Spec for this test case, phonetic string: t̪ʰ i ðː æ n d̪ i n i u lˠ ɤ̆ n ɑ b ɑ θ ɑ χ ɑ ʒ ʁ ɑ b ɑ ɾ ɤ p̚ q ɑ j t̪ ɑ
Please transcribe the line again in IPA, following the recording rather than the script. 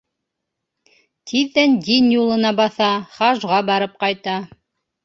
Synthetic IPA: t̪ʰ i ðː æ n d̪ i n j u lˠ ɤ̆ n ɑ b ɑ θ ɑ χ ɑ ʒ ʁ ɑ b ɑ ɾ ɤ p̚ q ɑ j t̪ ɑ